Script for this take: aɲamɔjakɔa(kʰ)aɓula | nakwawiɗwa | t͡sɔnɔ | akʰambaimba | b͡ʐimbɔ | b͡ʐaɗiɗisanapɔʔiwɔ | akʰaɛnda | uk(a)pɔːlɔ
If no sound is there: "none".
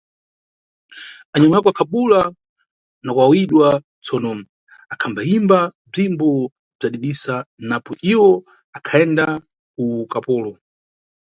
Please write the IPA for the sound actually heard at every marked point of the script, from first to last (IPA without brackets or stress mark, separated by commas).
kʰ, a